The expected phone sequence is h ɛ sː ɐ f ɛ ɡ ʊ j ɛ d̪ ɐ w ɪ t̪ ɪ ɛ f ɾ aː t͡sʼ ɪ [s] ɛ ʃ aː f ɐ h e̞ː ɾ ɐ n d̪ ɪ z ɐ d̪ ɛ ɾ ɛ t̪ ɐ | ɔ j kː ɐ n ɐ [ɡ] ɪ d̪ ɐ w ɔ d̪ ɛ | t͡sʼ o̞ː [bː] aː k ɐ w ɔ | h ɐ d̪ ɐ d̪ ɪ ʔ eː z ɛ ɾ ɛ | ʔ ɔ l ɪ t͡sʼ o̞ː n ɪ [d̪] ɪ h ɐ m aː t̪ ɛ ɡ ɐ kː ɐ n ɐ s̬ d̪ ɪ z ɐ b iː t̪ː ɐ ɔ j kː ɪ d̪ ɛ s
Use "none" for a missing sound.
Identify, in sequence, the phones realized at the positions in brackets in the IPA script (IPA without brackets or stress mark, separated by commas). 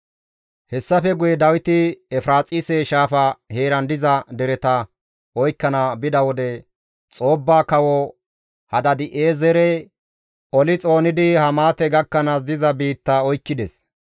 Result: s, b, bː, d̪